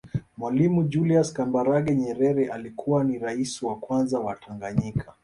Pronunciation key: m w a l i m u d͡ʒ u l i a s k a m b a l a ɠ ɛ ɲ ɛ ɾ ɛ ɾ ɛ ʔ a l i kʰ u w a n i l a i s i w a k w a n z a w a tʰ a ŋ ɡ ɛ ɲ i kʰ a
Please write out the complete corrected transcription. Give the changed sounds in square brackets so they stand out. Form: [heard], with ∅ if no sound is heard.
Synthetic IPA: m w a l i m u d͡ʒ u l i a s k a m b a [ɾ] a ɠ ɛ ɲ ɛ ɾ ɛ ɾ ɛ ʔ a l i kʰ u w a n i [ɾ] a i s i w a k w a n z a w a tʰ a ŋ ɡ [a] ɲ i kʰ a

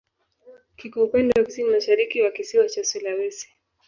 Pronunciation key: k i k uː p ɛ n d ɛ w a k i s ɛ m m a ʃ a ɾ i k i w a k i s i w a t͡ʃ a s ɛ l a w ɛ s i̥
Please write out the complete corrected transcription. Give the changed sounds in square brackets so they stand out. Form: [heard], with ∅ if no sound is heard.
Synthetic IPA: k i k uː p ɛ n d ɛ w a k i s [i] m m a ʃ a ɾ i k i w a k i s i w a t͡ʃ a s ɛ l a w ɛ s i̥

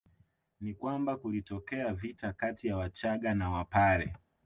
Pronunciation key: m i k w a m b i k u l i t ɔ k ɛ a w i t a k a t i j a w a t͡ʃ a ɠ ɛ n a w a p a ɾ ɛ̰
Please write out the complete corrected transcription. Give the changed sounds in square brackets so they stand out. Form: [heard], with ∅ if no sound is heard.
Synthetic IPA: [n] i k w a m b [a] k u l i t ɔ k ɛ a [v] i t a k a t i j a w a t͡ʃ a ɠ [a] n a w a p a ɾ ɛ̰

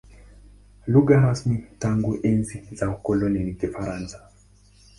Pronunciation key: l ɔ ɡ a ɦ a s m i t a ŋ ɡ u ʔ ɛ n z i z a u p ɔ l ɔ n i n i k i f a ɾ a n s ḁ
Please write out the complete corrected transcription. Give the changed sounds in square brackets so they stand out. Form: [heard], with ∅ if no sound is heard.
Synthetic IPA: l [u] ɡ a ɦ a s m i t a ŋ ɡ u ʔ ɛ n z i z a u [k] ɔ l ɔ n i n i k i f a ɾ a n s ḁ

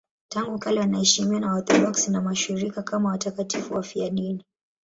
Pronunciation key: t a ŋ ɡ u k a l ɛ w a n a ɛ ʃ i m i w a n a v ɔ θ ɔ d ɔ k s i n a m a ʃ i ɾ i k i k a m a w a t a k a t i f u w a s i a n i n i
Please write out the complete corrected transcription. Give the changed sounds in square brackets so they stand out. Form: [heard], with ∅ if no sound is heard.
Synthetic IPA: t a ŋ ɡ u k a l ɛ w a n a ɛ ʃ i m i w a n a [w] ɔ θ ɔ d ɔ k s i n a m a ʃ i ɾ i k [a] k a m a w a t a k a t i f u w a [f] i a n i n i

